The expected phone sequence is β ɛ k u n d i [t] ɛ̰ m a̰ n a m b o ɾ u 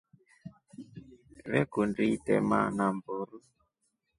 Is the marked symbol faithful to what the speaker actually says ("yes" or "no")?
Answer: yes